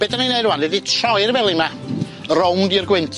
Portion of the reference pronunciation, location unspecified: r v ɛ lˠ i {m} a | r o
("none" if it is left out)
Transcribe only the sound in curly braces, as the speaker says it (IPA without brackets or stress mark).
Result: m